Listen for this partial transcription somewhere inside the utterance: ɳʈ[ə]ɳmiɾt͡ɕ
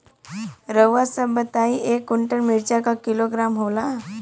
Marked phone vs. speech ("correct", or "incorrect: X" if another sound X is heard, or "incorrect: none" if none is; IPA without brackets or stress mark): correct